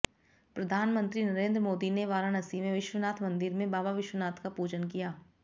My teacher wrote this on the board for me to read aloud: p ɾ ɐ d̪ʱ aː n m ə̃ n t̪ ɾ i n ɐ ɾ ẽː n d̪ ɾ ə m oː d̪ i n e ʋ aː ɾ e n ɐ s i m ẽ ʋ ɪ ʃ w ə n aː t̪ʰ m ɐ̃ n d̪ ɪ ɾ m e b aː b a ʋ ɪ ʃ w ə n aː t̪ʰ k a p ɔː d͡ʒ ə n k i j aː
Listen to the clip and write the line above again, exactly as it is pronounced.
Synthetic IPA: p ɾ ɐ d̪ʱ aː n m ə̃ n t̪ ɾ i n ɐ ɾ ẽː n d̪ ɾ ə m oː d̪ i n e ʋ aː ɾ a n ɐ s i m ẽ ʋ ɪ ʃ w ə n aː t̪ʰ m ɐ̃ n d̪ ɪ ɾ m ẽ b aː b a ʋ ɪ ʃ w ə n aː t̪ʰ k a p uː d͡ʒ ə n k i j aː

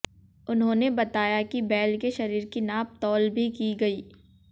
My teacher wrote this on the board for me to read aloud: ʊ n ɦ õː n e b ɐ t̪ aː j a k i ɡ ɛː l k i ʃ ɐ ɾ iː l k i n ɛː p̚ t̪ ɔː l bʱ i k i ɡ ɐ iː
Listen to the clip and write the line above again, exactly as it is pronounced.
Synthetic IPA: ʊ n ɦ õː n e b ɐ t̪ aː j a k i b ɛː l k e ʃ ɐ ɾ iː ɾ k i n aː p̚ t̪ ɔː l bʱ i k i ɡ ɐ iː

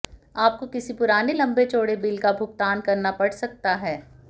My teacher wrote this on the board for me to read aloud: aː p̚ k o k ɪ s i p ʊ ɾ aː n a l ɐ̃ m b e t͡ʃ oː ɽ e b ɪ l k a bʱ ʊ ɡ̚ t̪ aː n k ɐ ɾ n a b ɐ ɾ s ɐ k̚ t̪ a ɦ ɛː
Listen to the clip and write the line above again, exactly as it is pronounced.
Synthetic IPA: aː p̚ k o k ɪ s i p ʊ ɾ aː n e l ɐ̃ m b e t͡ʃ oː ɽ e b ɪ l k a bʱ ʊ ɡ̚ t̪ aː n k ɐ ɾ n a p ɐ ɽ s ɐ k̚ t̪ a ɦ ɛː

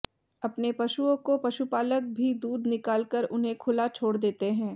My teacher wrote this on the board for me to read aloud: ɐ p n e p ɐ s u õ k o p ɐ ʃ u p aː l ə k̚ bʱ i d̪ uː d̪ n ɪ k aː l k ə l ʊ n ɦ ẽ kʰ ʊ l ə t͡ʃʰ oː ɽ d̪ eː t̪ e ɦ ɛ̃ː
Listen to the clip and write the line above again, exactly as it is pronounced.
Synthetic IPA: ɐ p n e p ɐ ʃ u õ k o p ɐ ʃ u p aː l ə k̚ bʱ i d̪ uː d̪ n ɪ k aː l k ə ɾ ʊ n ɦ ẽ kʰ ʊ l a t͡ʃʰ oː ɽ d̪ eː t̪ e ɦ ɛ̃ː

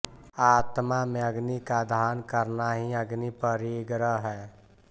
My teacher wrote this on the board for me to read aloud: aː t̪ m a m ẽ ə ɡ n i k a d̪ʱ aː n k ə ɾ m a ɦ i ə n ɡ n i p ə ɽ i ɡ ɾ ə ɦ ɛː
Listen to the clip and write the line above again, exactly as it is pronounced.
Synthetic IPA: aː t̪ m a m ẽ ə ɡ n i k a d̪ʱ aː n k ə ɾ n a ɦ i ə ɡ n i p ə ɾ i ɡ ɾ ə ɦ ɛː

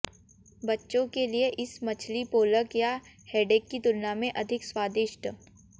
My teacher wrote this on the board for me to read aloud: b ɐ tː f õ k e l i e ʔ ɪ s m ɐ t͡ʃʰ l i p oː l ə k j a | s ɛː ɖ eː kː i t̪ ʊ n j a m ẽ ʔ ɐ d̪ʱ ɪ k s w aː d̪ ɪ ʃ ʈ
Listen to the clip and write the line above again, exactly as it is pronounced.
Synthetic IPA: b ɐ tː ʃ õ k e l i e ʔ ɪ s m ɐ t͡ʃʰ l i p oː l ə k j a | h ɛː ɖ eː kː i t̪ ʊ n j a m ẽ ʔ ɐ d̪ʱ ɪ k s w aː d̪ ɪ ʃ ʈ

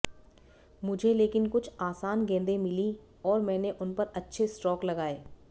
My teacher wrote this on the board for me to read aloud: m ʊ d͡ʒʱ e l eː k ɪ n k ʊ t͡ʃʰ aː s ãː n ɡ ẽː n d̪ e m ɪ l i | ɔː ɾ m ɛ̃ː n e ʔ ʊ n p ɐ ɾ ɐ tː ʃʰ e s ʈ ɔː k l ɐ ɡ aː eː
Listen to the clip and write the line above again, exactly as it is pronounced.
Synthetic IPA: m ʊ d͡ʒʱ e l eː k ɪ n k ʊ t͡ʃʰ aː s aː n ɡ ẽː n d̪ e m ɪ l i | ɔː ɾ m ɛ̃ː n e ʔ ʊ n p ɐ ɾ ɐ tː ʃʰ e s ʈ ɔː k l ɐ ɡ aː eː

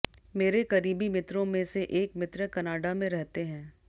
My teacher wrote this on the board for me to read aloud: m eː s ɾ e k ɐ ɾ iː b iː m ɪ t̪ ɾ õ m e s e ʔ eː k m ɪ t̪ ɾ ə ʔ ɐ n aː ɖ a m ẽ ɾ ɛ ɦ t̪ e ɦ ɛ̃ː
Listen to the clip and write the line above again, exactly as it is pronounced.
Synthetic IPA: m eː ɾ e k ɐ ɾ iː b i m ɪ t̪ ɾ õ m ẽ s e ʔ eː k m ɪ t̪ ɾ ə k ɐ n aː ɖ a m ẽ ɾ ɛ ɦ t̪ e ɦ ɛ̃ː

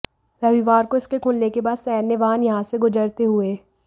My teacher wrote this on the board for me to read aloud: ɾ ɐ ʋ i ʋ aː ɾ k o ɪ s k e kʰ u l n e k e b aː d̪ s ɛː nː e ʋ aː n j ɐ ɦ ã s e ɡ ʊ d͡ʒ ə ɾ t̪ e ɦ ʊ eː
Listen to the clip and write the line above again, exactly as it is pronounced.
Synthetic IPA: ɾ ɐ ʋ i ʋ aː ɾ k o ɪ s k e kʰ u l n e k e b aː d̪ s ɛː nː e ʋ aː n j ɐ ɦ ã s e ɡ ʊ d͡ʒ ə ɾ t̪ e ɦ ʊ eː

